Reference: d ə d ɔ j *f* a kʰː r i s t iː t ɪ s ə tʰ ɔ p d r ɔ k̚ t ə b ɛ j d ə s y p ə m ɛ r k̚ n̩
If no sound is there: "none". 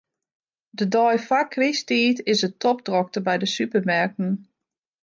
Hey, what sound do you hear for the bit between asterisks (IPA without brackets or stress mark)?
f